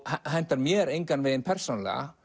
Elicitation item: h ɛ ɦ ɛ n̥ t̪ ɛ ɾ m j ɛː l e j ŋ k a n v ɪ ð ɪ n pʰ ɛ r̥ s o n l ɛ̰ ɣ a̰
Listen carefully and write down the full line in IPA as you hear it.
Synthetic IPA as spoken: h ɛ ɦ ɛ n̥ t̪ a ɾ m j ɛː ɾ e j ŋ k a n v ɪ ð ɪ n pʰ ɛ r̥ s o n l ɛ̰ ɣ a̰